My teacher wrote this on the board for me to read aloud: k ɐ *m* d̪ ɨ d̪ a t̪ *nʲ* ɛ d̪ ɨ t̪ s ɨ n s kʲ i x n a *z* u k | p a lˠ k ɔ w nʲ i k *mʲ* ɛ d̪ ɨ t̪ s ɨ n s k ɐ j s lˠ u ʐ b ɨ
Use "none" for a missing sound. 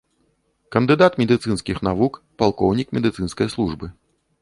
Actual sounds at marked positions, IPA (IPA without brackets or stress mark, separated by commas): n, mʲ, v, mʲ